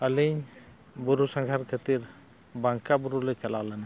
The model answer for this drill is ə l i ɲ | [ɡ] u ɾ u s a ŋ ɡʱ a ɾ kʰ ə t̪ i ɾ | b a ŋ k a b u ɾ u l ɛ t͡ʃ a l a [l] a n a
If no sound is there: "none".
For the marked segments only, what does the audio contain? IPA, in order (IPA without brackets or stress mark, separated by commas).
b, l